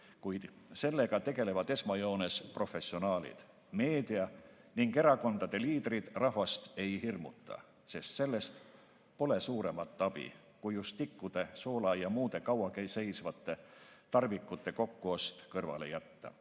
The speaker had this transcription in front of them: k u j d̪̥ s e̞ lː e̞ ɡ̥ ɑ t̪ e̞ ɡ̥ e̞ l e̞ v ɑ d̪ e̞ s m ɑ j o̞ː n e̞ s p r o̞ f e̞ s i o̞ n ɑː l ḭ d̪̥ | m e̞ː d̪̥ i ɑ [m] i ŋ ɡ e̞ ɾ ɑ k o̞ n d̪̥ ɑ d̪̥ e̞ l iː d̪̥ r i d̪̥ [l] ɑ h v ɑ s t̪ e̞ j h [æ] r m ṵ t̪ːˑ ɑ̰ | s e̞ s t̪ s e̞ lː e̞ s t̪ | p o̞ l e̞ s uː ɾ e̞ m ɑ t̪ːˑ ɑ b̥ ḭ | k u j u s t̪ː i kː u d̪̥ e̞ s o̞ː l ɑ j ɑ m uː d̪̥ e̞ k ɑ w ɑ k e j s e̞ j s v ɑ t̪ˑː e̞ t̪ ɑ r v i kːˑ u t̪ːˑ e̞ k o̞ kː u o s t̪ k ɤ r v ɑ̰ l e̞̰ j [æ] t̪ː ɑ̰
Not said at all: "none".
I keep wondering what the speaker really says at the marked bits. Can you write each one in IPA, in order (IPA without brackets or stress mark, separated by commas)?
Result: n, r, i, æ